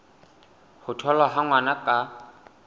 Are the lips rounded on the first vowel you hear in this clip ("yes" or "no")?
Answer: yes